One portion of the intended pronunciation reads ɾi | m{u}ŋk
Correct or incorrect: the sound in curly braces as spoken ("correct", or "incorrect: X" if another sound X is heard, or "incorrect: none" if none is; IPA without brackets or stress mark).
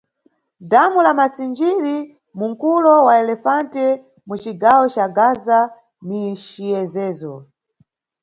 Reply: correct